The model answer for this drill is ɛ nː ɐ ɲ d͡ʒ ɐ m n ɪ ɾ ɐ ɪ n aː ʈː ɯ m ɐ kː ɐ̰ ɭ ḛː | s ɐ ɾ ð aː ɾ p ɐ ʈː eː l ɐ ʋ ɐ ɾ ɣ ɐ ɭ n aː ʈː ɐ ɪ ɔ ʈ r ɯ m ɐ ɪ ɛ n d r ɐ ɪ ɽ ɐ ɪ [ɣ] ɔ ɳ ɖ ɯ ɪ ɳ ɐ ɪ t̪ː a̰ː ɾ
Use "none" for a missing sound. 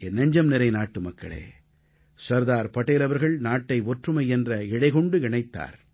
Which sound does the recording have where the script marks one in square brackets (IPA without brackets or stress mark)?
ɣ